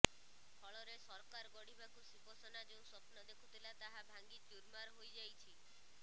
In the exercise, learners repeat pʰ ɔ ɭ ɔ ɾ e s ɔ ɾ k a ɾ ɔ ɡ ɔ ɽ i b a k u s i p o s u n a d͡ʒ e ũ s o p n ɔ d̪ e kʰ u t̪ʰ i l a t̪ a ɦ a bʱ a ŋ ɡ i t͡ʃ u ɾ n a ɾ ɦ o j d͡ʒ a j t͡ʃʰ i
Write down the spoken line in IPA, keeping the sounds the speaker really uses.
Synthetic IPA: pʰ ɔ ɭ ɔ ɾ e s ɔ ɾ k a ɾ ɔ ɡ ɔ ɽ i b a k u s i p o s ɔ n a d͡ʒ e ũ s ɔ p n ɔ d̪ e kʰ u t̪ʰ i l a t̪ a ɦ a bʱ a ŋ ɡ i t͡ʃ u ɾ m a ɾ ɦ o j d͡ʒ a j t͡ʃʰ i